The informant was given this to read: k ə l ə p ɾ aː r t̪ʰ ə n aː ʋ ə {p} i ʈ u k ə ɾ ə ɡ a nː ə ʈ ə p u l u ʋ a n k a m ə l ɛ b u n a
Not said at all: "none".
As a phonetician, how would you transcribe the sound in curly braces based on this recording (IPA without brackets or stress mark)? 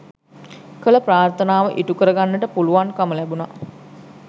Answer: ʔ